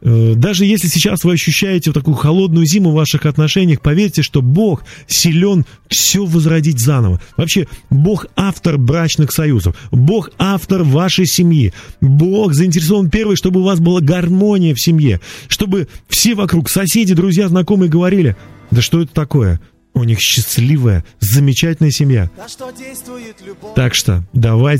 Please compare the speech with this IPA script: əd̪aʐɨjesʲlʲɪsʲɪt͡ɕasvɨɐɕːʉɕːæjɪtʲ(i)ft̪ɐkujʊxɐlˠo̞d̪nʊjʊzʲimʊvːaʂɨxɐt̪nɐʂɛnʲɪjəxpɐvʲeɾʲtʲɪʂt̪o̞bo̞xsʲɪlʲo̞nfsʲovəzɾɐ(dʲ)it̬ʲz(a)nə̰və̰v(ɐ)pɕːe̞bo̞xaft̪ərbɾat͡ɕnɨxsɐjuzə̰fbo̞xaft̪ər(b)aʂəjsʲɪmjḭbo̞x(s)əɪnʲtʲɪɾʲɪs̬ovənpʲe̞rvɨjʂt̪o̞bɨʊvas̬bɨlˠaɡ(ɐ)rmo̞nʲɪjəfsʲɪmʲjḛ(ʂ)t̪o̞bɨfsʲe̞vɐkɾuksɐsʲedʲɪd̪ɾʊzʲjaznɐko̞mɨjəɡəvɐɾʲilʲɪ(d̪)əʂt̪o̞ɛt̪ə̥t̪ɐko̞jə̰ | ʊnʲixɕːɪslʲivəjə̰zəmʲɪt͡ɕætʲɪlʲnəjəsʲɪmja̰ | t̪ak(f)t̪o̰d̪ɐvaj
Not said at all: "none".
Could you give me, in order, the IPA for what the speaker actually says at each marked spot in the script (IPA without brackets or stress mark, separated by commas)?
ɪ, dʲ, a, ɐ, v, z, ɐ, ʂ, d̪, ʂ